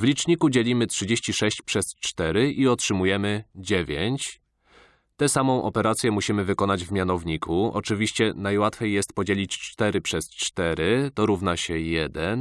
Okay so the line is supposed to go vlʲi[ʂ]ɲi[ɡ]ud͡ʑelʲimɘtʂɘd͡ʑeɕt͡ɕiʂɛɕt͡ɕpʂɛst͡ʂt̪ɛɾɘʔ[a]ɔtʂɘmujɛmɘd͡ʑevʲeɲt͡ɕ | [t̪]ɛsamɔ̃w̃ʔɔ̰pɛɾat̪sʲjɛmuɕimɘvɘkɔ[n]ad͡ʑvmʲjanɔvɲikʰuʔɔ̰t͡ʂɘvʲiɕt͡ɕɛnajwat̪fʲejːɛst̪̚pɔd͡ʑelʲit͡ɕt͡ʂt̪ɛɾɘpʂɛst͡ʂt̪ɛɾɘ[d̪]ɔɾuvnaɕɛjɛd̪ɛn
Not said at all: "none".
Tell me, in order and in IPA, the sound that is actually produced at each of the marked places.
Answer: t͡ʂ, k, i, t̪, n, t̪

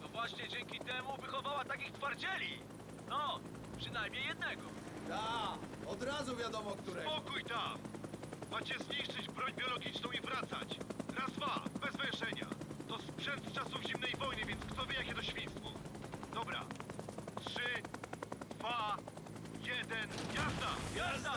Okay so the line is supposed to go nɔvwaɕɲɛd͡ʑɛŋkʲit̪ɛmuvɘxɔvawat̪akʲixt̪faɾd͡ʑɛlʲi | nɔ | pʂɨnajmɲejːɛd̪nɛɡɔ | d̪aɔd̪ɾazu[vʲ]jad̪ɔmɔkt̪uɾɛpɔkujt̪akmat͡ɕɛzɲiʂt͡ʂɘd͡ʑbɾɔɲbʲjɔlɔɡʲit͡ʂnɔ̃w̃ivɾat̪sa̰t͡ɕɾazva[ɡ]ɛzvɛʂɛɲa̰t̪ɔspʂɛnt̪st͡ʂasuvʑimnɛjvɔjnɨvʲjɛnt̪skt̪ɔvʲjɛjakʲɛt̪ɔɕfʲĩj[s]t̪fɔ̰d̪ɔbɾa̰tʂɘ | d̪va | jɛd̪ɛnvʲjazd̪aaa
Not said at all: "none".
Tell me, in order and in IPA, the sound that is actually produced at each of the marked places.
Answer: vʲ, b, s

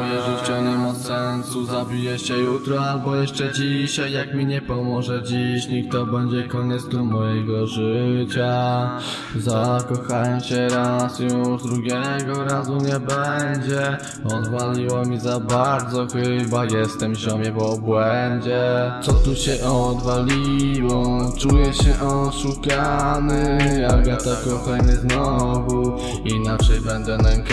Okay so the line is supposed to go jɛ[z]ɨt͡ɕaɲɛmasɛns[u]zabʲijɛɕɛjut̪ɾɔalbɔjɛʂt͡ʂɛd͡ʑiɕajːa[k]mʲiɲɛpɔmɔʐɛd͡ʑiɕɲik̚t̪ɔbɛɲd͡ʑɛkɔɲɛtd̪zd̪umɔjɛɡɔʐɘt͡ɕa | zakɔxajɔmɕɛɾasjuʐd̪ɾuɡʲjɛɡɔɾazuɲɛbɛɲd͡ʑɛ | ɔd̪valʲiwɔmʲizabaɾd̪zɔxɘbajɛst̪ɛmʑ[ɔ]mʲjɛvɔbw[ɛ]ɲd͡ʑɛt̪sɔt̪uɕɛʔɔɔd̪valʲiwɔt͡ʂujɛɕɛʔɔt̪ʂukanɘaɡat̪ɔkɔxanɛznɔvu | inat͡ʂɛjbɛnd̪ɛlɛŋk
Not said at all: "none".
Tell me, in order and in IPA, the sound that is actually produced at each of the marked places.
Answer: ʐ, u, k, ɔ, ɛ

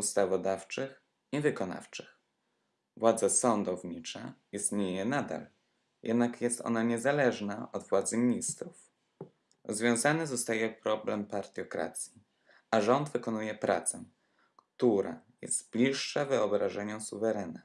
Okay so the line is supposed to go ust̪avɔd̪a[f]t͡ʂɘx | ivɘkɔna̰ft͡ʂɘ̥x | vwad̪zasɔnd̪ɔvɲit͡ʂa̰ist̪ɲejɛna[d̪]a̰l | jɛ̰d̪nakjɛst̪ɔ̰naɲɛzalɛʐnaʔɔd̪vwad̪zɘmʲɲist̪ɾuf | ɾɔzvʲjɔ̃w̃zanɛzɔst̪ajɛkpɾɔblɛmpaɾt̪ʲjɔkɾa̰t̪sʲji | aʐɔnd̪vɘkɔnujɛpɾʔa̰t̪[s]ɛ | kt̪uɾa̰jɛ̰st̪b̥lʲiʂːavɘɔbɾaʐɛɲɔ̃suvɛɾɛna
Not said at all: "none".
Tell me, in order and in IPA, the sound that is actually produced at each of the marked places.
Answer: f, d̪, s

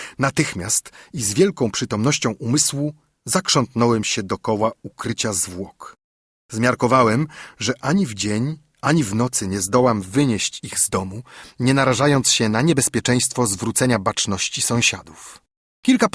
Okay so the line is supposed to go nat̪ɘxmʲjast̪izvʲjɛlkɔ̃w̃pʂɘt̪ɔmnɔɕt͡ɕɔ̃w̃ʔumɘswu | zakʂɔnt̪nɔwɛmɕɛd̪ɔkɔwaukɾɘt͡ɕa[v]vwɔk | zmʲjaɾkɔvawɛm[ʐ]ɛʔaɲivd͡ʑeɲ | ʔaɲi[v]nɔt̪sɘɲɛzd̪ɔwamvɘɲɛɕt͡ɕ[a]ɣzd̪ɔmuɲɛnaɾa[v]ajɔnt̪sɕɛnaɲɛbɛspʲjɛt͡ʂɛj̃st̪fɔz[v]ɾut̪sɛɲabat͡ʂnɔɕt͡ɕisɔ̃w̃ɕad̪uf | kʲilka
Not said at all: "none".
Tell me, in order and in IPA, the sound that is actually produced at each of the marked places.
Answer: z, ʐ, v, i, ʐ, v

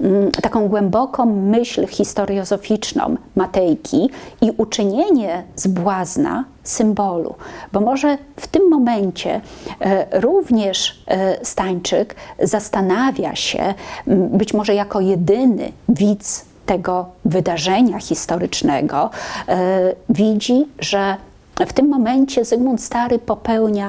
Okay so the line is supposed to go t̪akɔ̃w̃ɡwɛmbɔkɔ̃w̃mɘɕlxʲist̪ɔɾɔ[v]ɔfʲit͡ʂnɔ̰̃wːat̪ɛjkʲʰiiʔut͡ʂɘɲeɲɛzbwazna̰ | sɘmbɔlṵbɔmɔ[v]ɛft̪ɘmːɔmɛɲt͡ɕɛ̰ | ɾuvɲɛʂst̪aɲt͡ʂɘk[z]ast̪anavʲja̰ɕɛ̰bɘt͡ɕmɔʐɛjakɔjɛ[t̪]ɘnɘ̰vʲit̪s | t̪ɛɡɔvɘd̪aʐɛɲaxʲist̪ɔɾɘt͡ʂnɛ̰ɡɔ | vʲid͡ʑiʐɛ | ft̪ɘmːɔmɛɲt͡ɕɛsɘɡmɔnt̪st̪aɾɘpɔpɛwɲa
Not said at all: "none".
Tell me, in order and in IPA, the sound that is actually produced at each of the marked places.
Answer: z, ʐ, z, d̪

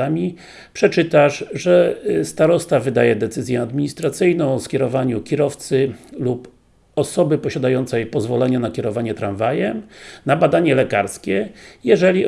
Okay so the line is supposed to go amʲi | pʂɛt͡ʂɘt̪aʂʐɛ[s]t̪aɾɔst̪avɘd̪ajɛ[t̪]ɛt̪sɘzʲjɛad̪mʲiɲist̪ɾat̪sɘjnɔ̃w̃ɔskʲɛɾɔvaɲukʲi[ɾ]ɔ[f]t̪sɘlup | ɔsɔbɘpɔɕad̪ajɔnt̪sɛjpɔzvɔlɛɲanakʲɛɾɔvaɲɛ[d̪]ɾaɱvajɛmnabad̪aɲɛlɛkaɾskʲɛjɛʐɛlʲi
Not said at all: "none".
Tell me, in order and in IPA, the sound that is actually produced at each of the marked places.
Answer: s, d̪, ɾ, f, t̪

